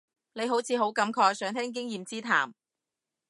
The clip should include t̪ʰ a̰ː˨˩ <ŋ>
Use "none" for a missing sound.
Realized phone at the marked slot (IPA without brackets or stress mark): m